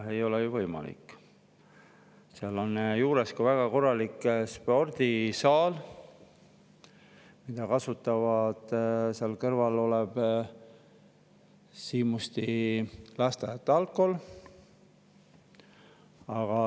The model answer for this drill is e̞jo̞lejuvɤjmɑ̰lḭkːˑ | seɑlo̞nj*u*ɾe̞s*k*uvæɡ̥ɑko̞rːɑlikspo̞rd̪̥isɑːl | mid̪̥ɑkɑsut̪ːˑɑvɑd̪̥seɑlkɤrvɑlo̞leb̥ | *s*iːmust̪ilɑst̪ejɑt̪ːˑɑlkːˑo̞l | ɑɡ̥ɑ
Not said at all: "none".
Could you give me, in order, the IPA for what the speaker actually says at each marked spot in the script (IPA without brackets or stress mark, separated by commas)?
uː, k, s